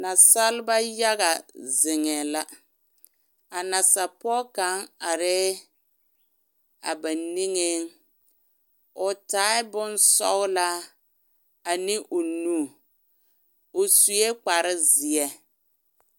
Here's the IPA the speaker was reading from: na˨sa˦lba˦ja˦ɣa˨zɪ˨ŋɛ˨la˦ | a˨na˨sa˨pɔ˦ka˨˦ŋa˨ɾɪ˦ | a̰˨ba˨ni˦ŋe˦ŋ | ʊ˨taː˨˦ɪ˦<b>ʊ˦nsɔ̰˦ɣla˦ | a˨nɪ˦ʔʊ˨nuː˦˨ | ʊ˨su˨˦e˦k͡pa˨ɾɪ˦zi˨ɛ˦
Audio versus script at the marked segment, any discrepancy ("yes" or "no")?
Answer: no